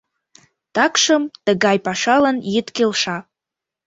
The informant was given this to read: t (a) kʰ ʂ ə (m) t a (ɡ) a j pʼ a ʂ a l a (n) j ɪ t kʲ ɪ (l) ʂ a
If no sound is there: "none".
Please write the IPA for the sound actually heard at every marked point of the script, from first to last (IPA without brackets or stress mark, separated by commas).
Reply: a, m, ɡ, n, l